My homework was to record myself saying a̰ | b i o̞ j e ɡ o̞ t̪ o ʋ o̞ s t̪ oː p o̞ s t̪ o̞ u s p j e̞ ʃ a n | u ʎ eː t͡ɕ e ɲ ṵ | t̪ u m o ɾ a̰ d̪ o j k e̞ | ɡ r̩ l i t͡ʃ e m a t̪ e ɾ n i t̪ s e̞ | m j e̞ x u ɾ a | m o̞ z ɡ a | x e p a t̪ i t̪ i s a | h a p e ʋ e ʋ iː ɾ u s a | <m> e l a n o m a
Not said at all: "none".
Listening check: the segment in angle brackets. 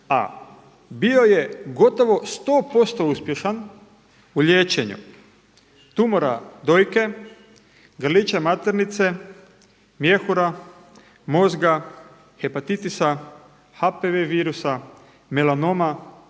m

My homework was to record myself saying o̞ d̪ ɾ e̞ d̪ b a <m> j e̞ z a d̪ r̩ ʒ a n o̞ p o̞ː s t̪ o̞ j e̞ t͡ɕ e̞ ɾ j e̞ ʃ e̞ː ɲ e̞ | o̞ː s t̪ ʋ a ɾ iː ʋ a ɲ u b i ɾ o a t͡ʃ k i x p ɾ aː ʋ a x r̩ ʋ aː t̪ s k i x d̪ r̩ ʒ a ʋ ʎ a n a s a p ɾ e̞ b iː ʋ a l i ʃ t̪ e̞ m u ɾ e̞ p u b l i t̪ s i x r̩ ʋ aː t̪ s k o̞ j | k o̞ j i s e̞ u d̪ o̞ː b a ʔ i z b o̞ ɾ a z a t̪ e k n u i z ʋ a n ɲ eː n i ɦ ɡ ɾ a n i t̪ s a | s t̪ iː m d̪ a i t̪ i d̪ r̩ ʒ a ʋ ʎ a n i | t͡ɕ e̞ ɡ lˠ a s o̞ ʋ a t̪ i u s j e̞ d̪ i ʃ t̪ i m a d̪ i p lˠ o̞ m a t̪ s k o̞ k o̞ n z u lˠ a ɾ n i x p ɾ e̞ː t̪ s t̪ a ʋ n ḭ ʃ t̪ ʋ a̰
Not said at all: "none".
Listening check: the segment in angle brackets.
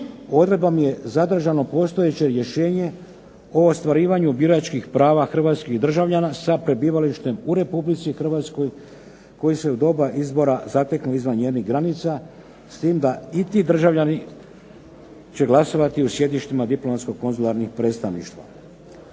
m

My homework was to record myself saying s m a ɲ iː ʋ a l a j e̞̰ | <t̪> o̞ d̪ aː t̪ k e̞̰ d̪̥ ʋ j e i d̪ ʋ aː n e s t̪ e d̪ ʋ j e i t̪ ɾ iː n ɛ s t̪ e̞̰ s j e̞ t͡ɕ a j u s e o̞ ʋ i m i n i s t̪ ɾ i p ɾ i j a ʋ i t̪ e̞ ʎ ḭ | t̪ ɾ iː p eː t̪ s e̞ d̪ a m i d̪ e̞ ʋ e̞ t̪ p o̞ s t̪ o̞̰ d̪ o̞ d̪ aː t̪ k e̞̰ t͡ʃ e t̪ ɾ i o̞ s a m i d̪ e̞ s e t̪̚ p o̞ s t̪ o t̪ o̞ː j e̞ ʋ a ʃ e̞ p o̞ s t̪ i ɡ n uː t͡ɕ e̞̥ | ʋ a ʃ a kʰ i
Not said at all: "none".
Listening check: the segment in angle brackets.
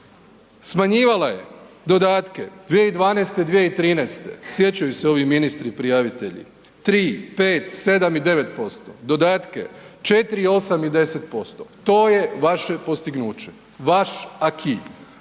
d̪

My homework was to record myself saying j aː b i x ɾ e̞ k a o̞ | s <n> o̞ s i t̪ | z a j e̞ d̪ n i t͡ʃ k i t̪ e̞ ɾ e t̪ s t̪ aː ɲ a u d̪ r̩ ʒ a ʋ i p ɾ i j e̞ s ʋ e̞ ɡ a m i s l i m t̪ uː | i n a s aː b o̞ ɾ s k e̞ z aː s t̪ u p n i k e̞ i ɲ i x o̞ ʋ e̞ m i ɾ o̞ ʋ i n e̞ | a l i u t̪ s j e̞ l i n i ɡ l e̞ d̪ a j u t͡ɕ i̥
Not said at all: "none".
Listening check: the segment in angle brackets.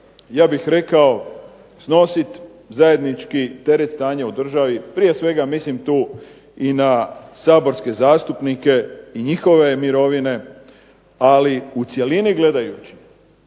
n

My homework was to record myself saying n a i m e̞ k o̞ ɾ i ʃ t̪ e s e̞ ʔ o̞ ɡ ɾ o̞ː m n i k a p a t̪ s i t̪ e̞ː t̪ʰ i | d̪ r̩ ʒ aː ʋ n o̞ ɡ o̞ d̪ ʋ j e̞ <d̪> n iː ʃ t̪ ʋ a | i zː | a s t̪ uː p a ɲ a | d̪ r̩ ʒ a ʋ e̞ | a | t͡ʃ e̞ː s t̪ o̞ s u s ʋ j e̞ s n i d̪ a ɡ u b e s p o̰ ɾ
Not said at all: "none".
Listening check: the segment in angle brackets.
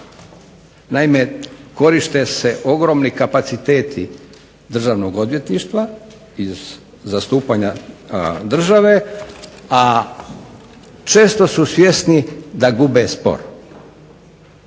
t̪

